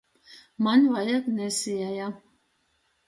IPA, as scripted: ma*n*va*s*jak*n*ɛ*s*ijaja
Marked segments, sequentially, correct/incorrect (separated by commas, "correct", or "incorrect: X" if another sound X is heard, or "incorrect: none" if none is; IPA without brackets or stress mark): correct, incorrect: none, correct, correct